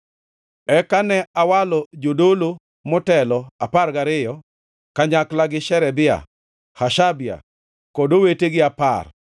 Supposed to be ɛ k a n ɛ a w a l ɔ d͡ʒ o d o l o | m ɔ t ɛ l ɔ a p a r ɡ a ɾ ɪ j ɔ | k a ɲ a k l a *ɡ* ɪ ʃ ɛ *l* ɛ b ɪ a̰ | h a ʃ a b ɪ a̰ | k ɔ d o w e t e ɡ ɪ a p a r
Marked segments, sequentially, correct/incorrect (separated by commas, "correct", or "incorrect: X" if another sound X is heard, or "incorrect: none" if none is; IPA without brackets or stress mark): correct, incorrect: ɾ